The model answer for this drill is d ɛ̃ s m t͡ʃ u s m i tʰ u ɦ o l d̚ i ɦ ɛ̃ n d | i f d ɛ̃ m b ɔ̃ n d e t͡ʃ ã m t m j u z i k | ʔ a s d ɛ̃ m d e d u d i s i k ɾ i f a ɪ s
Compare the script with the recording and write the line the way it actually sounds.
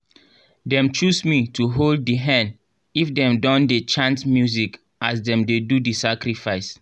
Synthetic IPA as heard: d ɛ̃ m t͡ʃ u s m i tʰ u ɦ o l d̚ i ɦ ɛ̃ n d | i f d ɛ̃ m d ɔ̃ n d e t͡ʃ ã n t m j u z i k | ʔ a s d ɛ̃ m d e d u d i s a k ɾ i f a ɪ s